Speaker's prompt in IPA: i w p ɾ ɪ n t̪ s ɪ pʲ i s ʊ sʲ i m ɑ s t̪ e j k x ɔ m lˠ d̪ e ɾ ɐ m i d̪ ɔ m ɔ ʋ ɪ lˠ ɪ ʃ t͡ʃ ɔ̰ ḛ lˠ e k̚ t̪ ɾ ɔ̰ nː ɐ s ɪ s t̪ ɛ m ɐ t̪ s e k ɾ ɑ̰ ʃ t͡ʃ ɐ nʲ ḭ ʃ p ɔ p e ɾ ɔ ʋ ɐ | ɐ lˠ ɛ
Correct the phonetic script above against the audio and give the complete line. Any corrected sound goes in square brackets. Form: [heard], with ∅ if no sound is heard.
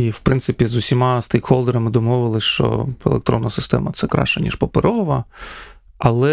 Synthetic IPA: i w p ɾ ɪ n t̪ s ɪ pʲ i [z] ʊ sʲ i m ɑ s t̪ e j k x ɔ [∅] lˠ d̪ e ɾ ɐ m [ɪ] d̪ ɔ m ɔ ʋ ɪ lˠ ɪ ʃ t͡ʃ ɔ̰ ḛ lˠ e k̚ t̪ ɾ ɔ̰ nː ɐ s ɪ s t̪ ɛ m ɐ t̪ s [ɛ] k ɾ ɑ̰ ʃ t͡ʃ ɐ nʲ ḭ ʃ p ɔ p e ɾ ɔ ʋ ɐ | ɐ lˠ ɛ